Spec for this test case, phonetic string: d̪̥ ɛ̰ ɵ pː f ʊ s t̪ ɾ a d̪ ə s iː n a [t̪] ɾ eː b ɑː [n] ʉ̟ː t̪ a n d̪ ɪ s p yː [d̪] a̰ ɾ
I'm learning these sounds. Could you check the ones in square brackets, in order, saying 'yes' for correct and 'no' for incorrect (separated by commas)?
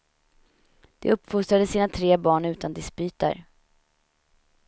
no, no, no